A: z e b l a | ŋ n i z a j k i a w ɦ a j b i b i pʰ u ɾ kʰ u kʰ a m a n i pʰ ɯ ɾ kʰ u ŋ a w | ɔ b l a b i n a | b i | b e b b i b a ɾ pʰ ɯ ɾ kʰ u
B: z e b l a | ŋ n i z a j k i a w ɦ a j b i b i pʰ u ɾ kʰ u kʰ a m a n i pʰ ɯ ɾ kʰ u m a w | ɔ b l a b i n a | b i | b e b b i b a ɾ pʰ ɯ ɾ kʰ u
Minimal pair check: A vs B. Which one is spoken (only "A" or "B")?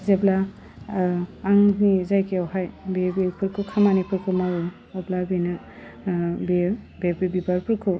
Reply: B